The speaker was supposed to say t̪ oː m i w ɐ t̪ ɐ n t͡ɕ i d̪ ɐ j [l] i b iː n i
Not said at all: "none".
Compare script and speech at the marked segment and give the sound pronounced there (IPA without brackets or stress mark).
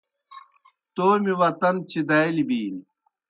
l